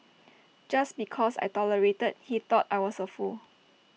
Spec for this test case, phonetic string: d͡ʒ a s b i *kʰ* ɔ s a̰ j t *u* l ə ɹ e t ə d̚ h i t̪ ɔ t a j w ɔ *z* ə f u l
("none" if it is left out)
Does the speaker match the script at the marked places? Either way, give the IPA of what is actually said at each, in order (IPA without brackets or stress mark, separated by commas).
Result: kʰ, ɔ, s